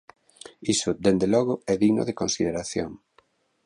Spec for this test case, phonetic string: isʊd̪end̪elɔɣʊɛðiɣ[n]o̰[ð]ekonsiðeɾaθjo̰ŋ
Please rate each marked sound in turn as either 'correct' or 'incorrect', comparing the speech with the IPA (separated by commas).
correct, correct